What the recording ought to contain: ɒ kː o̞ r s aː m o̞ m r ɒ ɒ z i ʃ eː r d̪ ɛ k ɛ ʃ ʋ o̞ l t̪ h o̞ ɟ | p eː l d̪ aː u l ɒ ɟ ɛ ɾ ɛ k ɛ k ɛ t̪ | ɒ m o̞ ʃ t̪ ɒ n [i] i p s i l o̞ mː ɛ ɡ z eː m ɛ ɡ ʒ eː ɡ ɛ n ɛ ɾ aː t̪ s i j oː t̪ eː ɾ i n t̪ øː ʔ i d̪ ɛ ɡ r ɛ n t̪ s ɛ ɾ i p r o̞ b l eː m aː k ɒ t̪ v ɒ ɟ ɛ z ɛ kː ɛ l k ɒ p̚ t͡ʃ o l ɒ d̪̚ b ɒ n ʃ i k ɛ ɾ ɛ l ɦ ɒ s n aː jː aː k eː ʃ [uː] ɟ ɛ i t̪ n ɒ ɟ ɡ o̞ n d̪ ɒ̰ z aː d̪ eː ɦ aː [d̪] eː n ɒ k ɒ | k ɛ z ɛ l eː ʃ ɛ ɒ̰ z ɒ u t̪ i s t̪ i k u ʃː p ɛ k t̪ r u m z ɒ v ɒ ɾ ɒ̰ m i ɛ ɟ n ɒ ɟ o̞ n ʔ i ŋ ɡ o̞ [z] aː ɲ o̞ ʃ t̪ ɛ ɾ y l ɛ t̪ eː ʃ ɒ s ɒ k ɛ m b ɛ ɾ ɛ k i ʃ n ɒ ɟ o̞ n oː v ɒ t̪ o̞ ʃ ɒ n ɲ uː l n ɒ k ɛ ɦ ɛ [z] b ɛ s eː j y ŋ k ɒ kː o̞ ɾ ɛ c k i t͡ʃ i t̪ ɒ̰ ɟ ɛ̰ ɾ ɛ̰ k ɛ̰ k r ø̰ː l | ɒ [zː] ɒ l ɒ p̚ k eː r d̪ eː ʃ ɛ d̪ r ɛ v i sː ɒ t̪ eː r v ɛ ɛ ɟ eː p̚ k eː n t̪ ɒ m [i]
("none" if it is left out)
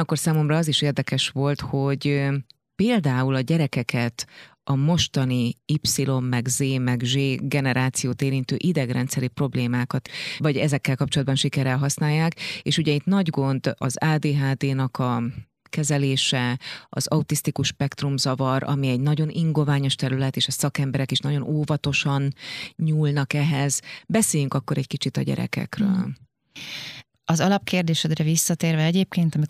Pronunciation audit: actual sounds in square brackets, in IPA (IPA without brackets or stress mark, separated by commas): i, u, d̪, v, z, z, i